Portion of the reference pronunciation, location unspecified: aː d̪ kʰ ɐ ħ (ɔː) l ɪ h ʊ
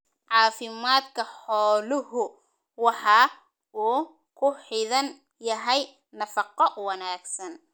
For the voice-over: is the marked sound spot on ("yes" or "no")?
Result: yes